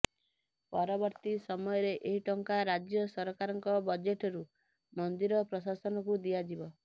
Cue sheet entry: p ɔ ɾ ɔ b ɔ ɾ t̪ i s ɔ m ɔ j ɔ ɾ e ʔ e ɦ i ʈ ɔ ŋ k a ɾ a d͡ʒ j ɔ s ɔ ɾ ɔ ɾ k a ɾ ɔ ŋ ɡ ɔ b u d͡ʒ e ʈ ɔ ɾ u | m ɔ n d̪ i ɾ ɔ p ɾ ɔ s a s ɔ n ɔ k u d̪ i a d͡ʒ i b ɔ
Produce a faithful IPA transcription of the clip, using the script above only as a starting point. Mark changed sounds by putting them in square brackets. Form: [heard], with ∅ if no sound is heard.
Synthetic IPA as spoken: p ɔ ɾ ɔ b ɔ ɾ t̪ i s ɔ m ɔ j ɔ ɾ e ʔ e ɦ i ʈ ɔ ŋ k a ɾ a d͡ʒ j ɔ s ɔ ɾ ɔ [∅] k a ɾ ɔ ŋ [k] ɔ b [ɔ] d͡ʒ e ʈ ɔ ɾ u | m ɔ n d̪ i ɾ ɔ p ɾ ɔ s a s ɔ n ɔ k u d̪ i a d͡ʒ i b ɔ